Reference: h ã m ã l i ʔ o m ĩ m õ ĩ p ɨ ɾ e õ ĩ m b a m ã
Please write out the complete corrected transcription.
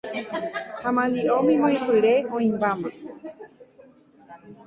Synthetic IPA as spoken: h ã m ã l i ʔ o m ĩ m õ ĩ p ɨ ɾ e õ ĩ m b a m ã